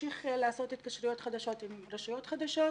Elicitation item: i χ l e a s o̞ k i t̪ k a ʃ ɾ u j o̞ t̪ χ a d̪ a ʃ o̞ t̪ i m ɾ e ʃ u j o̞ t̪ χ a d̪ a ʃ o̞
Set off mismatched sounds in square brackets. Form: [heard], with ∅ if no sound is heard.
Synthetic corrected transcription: i χ l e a s o̞ [t] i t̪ k a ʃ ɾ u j o̞ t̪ χ a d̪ a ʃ o̞ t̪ i m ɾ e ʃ u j o̞ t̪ χ a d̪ a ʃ o̞